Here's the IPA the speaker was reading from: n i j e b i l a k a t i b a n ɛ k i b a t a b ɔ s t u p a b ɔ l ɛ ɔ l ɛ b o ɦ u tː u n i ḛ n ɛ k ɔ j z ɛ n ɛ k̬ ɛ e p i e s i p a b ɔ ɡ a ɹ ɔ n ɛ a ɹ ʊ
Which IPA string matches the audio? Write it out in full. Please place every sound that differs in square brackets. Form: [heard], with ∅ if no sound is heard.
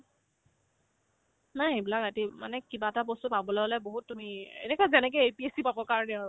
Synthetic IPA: n [a] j e b i l a k a t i [m] a n ɛ k i b a t a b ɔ s t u p a b ɔ l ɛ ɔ l ɛ b o ɦ u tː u [m] i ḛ n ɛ k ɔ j z ɛ n ɛ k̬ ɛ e p i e s i p a b ɔ [k] a ɹ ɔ n ɛ a ɹ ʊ